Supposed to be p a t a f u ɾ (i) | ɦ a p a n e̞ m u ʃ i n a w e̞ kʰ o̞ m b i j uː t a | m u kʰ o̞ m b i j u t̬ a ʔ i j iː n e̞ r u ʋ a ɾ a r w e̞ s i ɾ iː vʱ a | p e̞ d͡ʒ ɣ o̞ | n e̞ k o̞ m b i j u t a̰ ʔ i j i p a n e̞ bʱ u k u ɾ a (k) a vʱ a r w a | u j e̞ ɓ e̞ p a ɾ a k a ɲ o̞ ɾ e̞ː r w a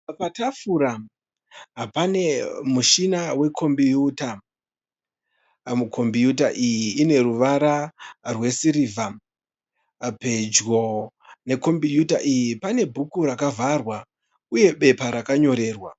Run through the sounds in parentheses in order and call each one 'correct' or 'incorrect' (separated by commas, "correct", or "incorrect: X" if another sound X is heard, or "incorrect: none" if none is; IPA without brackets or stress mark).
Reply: incorrect: a, correct